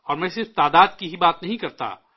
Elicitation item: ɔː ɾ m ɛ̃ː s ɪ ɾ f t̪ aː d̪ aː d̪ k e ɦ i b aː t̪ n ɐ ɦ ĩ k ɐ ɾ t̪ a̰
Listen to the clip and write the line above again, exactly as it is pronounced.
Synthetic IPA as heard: ɔː ɾ m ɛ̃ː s ɪ ɾ f t̪ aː d̪ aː d̪ k i ɦ i b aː t̪ n ɐ ɦ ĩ k ɐ ɾ t̪ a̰